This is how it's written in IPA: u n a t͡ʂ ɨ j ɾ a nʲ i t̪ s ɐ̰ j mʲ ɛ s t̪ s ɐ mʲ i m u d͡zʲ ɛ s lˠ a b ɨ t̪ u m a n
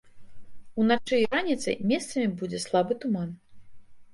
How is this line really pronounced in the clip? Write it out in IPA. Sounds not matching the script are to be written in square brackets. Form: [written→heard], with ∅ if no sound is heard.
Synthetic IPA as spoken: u n a t͡ʂ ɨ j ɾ a nʲ i t̪ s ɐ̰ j mʲ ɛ s t̪ s ɐ mʲ i [m→b] u d͡zʲ ɛ s lˠ a b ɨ t̪ u m a n